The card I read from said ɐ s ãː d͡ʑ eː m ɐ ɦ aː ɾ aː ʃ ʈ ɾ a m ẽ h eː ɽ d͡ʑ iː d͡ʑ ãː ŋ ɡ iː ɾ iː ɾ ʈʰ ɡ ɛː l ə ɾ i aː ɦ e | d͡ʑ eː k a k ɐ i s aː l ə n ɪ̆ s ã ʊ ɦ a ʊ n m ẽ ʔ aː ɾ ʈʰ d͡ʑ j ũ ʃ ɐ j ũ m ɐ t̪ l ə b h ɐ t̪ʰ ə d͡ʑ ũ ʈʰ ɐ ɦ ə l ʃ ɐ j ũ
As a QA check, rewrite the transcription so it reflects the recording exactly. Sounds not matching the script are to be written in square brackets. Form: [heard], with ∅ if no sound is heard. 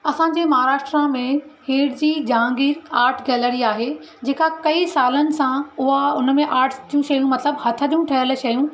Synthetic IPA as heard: ɐ s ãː d͡ʑ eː m ɐ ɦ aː ɾ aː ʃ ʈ ɾ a m ẽ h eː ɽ d͡ʑ iː d͡ʑ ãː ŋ ɡ iː ɾ [aː] ɾ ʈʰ ɡ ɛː l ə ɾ i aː ɦ e | d͡ʑ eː k a k ɐ i s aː l ə n ɪ̆ s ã ʊ ɦ a ʊ n m ẽ ʔ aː ɾ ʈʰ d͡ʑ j ũ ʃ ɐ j ũ m ɐ t̪ l ə b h ɐ t̪ʰ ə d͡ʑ ũ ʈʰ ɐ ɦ ə l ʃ ɐ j ũ